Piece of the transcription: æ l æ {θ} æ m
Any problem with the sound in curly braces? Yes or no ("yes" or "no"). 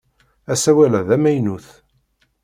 yes